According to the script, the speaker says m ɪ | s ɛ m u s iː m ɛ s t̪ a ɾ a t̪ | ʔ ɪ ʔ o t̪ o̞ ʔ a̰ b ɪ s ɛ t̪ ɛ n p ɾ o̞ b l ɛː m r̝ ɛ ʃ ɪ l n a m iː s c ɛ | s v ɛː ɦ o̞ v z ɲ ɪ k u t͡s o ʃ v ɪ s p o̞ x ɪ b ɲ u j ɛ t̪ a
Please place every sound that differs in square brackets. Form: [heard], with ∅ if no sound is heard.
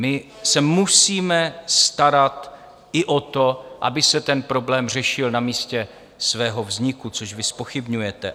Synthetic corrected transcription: m ɪ | s ɛ m u s iː m ɛ s t̪ a ɾ a t̪ | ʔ ɪ ʔ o t̪ o̞ ʔ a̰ b ɪ s ɛ t̪ ɛ n p ɾ o̞ b l ɛː m r̝ ɛ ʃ ɪ l n a m iː s c ɛ | s v ɛː ɦ o̞ v z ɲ ɪ k u t͡s o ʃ v ɪ s p o̞ x ɪ b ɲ u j ɛ t̪ [ɛ]